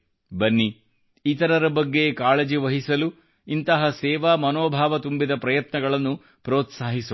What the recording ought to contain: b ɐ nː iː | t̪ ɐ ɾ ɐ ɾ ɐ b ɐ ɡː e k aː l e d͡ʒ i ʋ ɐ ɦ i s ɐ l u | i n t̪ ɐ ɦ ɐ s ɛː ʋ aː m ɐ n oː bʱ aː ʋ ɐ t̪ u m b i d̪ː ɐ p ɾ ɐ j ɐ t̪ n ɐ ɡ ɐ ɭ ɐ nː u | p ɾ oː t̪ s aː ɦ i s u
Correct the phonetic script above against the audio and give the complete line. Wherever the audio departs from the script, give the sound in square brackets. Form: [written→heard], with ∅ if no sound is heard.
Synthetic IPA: b ɐ nː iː | t̪ ɐ ɾ ɐ ɾ ɐ b ɐ ɡː e k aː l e d͡ʒ i ʋ ɐ ɦ i s ɐ l u | i n t̪ ɐ ɦ ɐ s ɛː ʋ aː m ɐ n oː bʱ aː ʋ ɐ t̪ u m b i [d̪ː→d̪] ɐ p ɾ ɐ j ɐ t̪ n ɐ ɡ ɐ ɭ ɐ nː u | p ɾ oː t̪ s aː ɦ i s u

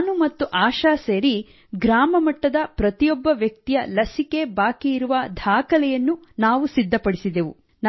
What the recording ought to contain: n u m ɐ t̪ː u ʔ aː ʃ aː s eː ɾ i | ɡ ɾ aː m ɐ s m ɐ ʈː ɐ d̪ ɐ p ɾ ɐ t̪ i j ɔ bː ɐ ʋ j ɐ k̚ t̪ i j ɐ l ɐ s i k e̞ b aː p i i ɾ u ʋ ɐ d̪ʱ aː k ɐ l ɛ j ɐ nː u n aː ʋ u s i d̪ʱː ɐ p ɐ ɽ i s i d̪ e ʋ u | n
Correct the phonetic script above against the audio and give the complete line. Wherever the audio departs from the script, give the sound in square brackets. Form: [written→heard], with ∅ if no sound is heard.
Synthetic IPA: n u m ɐ t̪ː u ʔ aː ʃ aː s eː ɾ i | ɡ ɾ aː m ɐ [s→∅] m ɐ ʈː ɐ d̪ ɐ p ɾ ɐ t̪ i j ɔ bː ɐ ʋ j ɐ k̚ t̪ i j ɐ l ɐ s i k e̞ b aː [p→k] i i ɾ u ʋ ɐ d̪ʱ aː k ɐ l ɛ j ɐ nː u n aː ʋ u s i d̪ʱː ɐ p ɐ ɽ i s i d̪ e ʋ u | n

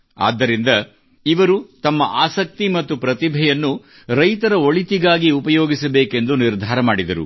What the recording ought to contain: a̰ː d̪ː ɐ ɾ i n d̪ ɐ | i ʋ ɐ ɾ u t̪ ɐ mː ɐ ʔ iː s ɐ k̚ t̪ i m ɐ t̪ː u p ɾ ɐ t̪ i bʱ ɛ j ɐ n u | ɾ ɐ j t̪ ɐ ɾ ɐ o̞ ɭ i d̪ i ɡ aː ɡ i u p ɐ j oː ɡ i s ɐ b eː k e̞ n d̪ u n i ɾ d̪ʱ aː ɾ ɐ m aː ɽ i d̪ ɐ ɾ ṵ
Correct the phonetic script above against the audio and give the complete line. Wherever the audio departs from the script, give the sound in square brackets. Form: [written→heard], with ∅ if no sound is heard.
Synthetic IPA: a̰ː d̪ː ɐ ɾ i n d̪ ɐ | i ʋ ɐ ɾ u t̪ ɐ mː ɐ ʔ [iː→aː] s ɐ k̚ t̪ i m ɐ t̪ː u p ɾ ɐ t̪ i bʱ ɛ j ɐ [n→nː] u | ɾ ɐ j t̪ ɐ ɾ ɐ o̞ ɭ i [d̪→t̪] i ɡ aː ɡ i u p ɐ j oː ɡ i s ɐ b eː k e̞ n d̪ u n i ɾ d̪ʱ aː ɾ ɐ m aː ɽ i d̪ ɐ ɾ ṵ

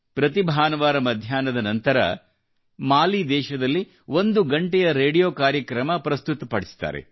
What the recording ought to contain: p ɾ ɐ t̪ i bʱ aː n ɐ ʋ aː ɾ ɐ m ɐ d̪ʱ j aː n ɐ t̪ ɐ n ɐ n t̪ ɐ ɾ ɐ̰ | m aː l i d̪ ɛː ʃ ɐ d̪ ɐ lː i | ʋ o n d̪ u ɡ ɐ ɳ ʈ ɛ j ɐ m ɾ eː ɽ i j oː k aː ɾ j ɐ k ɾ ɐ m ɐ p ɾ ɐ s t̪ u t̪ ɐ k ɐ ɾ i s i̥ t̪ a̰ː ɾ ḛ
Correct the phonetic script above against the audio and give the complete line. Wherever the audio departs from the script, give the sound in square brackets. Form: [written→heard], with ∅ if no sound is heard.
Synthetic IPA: p ɾ ɐ t̪ i bʱ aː n ɐ ʋ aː ɾ ɐ m ɐ d̪ʱ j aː n ɐ [t̪→d̪] ɐ n ɐ n t̪ ɐ ɾ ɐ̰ | m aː l i d̪ ɛː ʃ ɐ d̪ ɐ lː i | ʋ o n d̪ u ɡ ɐ ɳ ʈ ɛ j ɐ [m→∅] ɾ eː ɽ i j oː k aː ɾ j ɐ k ɾ ɐ m ɐ p ɾ ɐ s t̪ u t̪ ɐ [k→p] ɐ [ɾ→ɽ] i s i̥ t̪ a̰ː ɾ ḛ

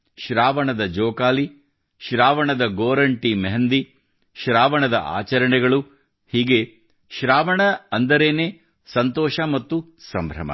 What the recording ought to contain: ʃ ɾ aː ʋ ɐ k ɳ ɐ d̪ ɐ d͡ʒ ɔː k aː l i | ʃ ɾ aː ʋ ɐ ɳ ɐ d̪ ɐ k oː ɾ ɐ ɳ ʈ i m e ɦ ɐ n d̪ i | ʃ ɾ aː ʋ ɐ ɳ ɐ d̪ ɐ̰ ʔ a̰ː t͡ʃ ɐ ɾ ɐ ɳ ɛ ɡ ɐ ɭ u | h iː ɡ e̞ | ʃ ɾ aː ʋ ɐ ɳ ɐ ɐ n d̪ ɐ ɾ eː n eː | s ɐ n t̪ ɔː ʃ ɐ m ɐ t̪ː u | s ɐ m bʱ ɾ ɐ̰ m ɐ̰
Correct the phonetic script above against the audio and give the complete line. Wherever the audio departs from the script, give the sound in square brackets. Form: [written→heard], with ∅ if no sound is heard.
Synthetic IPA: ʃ ɾ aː ʋ ɐ [k→∅] ɳ ɐ d̪ ɐ d͡ʒ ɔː k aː l i | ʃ ɾ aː ʋ ɐ ɳ ɐ d̪ ɐ [k→ɡ] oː ɾ ɐ ɳ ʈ i m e ɦ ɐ n d̪ i | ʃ ɾ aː ʋ ɐ ɳ ɐ d̪ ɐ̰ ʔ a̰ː t͡ʃ ɐ ɾ ɐ ɳ ɛ ɡ ɐ ɭ u | h iː ɡ e̞ | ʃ ɾ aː ʋ ɐ ɳ ɐ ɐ n d̪ ɐ ɾ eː n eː | s ɐ n t̪ ɔː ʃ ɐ m ɐ t̪ː u | s ɐ m bʱ ɾ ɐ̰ m ɐ̰

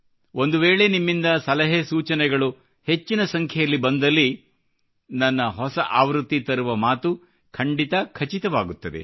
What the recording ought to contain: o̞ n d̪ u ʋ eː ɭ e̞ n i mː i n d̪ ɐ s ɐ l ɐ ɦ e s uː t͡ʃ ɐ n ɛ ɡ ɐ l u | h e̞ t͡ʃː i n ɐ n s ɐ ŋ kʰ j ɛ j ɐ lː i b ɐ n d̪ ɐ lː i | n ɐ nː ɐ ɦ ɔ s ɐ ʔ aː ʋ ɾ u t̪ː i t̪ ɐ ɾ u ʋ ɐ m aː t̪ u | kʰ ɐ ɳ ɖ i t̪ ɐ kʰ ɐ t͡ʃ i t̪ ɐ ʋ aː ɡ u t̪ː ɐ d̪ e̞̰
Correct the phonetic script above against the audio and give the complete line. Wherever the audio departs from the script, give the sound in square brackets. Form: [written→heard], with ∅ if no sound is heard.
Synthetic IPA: o̞ n d̪ u ʋ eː ɭ e̞ n i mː i n d̪ ɐ s ɐ l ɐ ɦ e s uː t͡ʃ ɐ n ɛ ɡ ɐ [l→ɭ] u | h e̞ t͡ʃː i n ɐ [n→∅] s ɐ ŋ kʰ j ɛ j ɐ lː i b ɐ n d̪ ɐ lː i | n ɐ nː ɐ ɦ ɔ s ɐ ʔ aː ʋ ɾ u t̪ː i t̪ ɐ ɾ u ʋ ɐ m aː t̪ u | kʰ ɐ ɳ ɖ i t̪ ɐ kʰ ɐ t͡ʃ i t̪ ɐ ʋ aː ɡ u t̪ː ɐ d̪ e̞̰

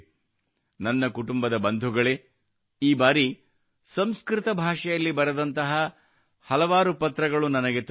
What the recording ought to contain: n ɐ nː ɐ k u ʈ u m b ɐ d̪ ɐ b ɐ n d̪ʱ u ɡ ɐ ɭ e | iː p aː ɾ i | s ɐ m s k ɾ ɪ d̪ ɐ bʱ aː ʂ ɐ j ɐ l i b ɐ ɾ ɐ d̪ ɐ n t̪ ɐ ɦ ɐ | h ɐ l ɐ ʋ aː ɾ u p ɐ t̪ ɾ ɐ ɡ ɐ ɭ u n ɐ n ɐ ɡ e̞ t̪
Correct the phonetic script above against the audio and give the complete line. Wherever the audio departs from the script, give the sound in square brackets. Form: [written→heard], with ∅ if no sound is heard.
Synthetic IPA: n ɐ nː ɐ k u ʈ u m b ɐ d̪ ɐ b ɐ n d̪ʱ u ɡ ɐ ɭ e | iː [p→b] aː ɾ i | s ɐ m s k ɾ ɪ [d̪→t̪] ɐ bʱ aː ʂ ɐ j ɐ [l→lː] i b ɐ ɾ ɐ d̪ ɐ n t̪ ɐ ɦ ɐ | h ɐ l ɐ ʋ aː ɾ u p ɐ t̪ ɾ ɐ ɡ ɐ ɭ u n ɐ n ɐ ɡ e̞ t̪

